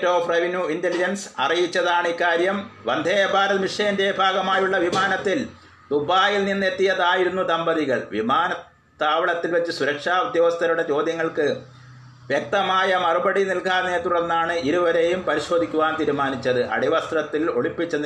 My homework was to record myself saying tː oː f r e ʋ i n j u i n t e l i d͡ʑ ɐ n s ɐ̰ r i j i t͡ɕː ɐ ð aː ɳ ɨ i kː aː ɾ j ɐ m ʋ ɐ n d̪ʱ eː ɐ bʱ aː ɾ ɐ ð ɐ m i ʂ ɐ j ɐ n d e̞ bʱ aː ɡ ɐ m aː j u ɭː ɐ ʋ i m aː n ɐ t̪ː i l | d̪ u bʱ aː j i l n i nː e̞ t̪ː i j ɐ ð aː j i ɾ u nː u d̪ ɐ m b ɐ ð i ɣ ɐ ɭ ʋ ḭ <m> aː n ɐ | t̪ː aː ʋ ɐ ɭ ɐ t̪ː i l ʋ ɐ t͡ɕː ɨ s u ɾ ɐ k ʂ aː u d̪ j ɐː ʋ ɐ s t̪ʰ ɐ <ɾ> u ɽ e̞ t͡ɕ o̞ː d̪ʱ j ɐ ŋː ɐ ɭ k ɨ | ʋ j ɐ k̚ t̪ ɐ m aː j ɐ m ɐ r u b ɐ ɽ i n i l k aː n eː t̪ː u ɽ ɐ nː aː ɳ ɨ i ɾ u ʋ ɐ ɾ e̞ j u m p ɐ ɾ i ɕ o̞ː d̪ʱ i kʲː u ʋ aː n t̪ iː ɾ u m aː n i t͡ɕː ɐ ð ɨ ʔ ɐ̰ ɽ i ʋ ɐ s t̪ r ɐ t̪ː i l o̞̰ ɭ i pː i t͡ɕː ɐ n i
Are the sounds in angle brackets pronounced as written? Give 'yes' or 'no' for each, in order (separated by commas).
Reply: yes, yes